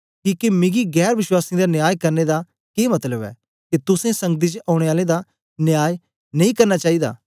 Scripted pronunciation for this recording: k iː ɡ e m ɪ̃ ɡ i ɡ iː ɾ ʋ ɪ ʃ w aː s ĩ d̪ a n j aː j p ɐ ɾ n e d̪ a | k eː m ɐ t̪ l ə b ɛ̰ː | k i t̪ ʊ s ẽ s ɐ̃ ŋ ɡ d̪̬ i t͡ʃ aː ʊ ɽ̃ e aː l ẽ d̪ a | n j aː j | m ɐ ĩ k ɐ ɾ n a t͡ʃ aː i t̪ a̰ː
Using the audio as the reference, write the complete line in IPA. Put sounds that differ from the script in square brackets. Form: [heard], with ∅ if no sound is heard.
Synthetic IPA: k iː [k] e m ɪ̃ ɡ i ɡ [ɛː] ɾ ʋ ɪ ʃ w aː s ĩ d̪ a n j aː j [k] ɐ ɾ n e d̪ a | k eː m ɐ t̪ l ə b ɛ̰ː | k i t̪ ʊ s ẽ s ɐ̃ ŋ ɡ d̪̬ i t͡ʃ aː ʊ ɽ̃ e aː l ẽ d̪ a | n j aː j | [n] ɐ ĩ k ɐ ɾ n a t͡ʃ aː i [d̪] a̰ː